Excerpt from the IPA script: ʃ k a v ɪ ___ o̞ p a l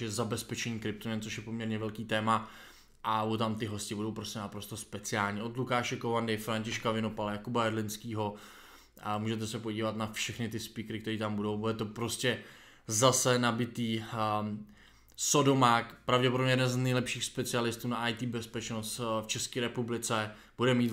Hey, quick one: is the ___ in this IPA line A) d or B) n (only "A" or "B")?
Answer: B